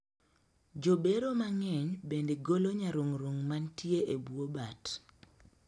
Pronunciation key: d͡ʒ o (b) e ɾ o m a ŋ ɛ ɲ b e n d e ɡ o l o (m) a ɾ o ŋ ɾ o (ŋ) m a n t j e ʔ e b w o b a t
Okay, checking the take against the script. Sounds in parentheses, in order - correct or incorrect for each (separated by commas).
correct, incorrect, correct